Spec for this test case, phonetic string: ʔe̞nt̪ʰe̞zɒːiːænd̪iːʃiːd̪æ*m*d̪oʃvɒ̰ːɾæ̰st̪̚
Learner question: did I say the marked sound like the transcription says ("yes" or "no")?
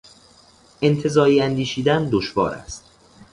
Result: no